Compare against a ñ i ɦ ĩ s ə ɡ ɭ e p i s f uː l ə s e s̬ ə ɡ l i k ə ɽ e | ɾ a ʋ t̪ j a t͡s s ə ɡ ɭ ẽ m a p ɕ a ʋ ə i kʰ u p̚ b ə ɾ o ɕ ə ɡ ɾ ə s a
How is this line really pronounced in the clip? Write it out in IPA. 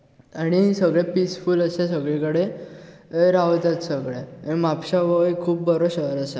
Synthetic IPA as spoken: a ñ i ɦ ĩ s ə ɡ ɭ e p i s f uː l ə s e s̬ ə ɡ ɭ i k ə ɽ e | ɾ a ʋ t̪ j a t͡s s ə ɡ ɭ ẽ m a p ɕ a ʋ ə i kʰ uː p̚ b ə ɾ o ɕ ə ɾ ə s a